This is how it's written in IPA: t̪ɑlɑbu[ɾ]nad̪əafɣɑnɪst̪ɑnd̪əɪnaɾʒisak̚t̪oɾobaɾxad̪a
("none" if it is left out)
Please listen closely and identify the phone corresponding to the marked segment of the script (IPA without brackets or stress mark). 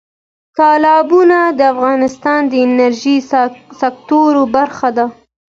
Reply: none